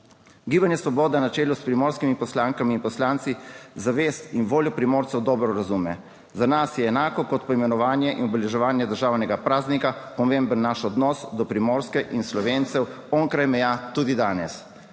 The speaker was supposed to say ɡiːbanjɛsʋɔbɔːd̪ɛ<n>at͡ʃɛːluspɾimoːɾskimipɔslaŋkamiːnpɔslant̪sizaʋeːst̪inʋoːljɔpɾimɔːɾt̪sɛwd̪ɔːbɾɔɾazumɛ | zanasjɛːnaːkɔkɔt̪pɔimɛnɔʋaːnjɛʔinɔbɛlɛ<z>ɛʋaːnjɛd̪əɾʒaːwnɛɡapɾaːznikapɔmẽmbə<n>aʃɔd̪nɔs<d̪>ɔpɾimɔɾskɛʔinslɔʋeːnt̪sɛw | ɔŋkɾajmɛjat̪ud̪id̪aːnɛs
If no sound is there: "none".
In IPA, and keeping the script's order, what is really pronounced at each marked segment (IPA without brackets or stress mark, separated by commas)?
n, ʒ, nː, d̪